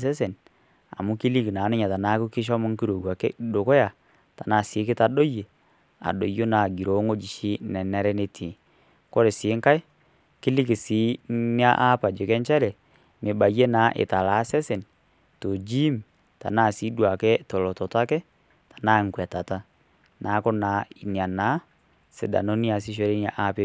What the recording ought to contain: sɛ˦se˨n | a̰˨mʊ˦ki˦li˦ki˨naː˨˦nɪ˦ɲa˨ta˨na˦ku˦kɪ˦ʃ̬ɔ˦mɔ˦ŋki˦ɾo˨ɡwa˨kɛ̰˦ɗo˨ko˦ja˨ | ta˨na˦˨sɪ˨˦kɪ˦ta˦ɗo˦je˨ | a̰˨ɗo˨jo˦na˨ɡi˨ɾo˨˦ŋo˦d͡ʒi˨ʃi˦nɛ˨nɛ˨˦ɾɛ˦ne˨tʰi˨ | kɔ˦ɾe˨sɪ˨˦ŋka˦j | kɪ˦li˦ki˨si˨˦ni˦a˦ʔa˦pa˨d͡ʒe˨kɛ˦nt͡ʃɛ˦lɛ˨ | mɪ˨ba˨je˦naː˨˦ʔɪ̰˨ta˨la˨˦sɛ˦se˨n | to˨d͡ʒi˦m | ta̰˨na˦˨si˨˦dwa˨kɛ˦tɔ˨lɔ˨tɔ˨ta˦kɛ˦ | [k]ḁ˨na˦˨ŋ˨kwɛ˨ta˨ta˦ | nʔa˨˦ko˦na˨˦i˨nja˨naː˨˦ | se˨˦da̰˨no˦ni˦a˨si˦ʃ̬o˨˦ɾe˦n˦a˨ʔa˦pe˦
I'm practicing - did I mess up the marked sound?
yes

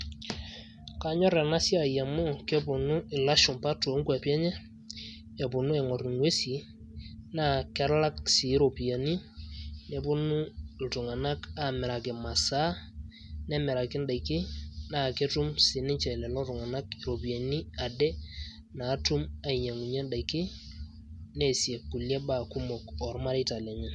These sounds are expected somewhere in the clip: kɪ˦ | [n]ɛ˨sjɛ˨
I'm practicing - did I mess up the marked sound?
no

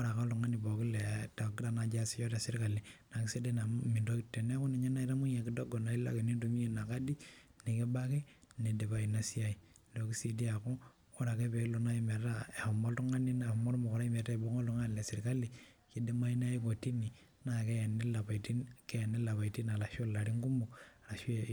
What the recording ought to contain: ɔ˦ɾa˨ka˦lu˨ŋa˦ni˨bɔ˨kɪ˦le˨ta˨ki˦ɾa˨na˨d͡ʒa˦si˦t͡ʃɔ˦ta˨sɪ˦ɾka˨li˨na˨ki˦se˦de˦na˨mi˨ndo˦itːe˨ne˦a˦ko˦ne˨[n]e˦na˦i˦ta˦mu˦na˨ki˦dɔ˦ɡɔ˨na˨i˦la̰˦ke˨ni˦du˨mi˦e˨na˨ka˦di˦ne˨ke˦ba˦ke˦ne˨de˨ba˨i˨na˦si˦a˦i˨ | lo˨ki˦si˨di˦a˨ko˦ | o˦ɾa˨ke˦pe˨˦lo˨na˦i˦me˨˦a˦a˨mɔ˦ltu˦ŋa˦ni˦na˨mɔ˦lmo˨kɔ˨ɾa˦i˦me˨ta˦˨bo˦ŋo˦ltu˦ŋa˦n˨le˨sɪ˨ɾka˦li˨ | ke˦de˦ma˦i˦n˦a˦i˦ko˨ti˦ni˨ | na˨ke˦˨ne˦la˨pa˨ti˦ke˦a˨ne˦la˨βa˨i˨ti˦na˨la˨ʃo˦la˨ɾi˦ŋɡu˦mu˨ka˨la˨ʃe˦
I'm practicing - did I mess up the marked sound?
yes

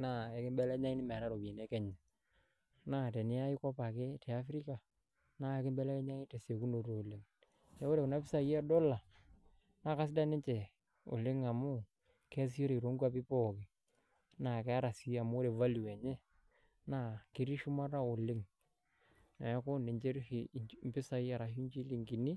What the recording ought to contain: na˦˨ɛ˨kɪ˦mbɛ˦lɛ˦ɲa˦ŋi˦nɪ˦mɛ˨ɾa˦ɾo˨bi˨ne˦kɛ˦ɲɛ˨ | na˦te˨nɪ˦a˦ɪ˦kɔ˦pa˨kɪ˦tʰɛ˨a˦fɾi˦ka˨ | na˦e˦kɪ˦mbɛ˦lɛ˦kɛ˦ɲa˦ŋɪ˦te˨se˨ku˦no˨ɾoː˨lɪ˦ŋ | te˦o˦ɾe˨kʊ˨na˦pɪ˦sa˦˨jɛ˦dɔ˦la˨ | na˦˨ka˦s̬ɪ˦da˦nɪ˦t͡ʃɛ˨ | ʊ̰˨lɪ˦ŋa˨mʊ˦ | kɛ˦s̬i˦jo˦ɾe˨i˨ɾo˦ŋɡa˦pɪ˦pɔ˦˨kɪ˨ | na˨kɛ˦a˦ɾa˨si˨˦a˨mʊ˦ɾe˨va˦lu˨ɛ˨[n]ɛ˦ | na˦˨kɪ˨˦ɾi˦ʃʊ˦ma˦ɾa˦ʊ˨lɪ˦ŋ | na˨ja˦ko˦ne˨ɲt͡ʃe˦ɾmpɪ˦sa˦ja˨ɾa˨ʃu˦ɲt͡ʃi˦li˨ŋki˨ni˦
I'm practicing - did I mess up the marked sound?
yes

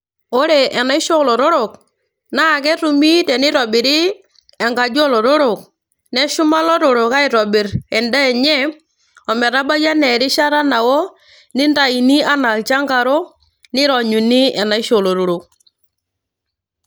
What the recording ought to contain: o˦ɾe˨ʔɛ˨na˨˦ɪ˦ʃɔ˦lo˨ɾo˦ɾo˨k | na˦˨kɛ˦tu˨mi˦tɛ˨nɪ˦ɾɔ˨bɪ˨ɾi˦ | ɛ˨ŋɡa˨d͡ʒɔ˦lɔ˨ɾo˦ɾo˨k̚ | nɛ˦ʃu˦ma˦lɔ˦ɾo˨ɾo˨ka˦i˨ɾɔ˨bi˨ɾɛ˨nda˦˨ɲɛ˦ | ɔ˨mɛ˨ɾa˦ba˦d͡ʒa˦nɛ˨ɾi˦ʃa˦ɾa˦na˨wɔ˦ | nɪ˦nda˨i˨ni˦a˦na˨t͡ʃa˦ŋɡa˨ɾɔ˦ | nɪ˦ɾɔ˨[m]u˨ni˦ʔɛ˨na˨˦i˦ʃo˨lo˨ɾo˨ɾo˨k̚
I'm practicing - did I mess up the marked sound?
yes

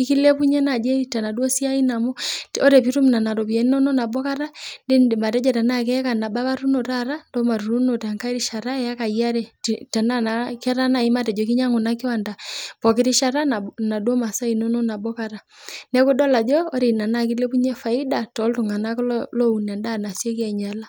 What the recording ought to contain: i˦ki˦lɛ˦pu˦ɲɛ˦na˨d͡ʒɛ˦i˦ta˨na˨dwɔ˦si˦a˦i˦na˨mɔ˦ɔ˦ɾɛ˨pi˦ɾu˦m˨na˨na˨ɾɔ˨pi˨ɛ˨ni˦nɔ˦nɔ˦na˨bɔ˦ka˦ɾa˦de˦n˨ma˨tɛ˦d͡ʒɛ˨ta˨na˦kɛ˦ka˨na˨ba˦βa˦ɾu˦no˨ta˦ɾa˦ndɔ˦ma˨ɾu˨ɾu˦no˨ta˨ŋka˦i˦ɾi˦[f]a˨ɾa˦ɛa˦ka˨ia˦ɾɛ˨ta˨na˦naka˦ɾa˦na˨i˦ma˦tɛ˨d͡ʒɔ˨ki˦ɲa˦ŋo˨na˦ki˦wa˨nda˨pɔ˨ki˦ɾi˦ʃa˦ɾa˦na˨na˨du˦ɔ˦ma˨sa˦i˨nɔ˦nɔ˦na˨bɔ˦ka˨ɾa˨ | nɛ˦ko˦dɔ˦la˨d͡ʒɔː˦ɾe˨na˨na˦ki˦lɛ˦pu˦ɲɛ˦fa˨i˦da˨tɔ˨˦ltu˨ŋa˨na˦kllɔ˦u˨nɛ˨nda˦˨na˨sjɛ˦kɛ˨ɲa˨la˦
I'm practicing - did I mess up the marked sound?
yes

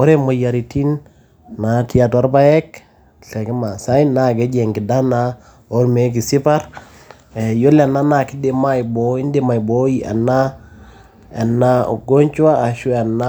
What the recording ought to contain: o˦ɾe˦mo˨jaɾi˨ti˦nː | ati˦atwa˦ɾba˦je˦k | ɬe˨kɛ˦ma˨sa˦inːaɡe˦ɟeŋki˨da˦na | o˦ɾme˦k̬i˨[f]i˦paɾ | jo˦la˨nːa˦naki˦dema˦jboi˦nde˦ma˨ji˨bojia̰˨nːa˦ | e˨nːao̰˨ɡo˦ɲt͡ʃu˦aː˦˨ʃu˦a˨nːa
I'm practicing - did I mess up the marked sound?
yes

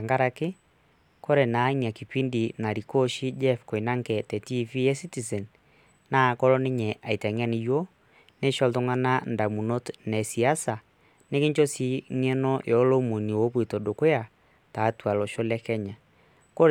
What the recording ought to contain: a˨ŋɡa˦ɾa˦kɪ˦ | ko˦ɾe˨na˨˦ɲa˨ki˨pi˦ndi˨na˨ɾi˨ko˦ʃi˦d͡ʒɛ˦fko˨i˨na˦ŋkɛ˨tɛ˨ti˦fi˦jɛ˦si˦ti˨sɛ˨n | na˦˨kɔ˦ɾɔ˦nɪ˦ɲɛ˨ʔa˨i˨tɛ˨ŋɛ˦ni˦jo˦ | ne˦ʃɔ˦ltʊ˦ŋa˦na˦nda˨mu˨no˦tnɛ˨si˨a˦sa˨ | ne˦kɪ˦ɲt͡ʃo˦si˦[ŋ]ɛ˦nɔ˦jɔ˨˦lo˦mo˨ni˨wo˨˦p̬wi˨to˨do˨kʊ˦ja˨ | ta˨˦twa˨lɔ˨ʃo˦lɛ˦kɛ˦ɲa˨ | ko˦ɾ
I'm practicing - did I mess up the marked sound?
no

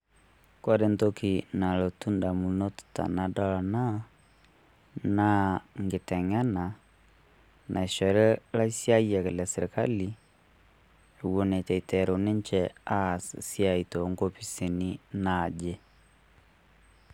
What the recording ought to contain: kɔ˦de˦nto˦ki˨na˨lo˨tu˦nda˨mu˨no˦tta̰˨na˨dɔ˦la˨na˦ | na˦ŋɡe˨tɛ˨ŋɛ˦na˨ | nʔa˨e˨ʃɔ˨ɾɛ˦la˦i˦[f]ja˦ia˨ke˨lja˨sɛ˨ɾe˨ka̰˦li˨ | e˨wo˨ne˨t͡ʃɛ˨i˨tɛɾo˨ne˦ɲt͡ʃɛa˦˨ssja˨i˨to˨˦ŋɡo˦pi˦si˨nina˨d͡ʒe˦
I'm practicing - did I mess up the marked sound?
yes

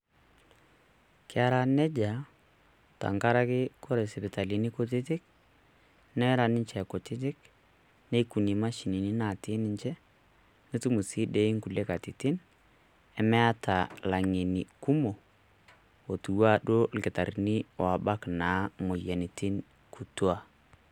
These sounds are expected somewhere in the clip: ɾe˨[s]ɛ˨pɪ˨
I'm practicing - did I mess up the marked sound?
no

